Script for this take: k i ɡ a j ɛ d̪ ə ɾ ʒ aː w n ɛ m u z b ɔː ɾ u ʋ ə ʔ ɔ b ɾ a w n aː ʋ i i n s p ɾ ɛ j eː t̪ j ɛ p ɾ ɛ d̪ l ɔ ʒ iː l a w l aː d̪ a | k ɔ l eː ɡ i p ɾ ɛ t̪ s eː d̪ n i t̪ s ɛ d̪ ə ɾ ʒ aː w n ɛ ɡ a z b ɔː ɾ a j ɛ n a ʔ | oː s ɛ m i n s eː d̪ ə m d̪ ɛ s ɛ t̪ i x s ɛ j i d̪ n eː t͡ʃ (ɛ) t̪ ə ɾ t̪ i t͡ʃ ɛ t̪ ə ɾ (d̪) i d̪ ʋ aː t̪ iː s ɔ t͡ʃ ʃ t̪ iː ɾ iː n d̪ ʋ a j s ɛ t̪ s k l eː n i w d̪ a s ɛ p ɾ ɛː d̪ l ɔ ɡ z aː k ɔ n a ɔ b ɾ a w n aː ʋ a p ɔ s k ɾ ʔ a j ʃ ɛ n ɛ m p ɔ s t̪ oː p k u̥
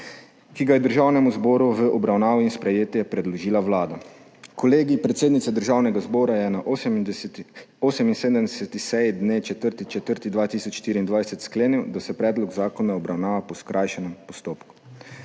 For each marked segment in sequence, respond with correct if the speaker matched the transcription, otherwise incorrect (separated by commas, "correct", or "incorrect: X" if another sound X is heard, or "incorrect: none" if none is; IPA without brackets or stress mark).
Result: correct, incorrect: t̪